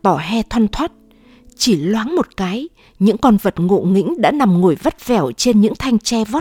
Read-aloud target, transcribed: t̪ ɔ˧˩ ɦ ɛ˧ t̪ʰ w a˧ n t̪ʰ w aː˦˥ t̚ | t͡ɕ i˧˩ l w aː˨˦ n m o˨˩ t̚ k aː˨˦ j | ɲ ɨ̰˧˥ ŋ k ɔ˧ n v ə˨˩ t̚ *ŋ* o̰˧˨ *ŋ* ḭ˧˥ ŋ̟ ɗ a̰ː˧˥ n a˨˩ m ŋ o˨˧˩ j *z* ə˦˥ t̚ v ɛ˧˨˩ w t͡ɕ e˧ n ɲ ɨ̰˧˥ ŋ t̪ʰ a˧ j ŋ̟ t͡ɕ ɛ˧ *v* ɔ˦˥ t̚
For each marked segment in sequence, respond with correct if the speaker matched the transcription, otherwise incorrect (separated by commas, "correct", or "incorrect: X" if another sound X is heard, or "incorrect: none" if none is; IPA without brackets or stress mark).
correct, correct, incorrect: v, correct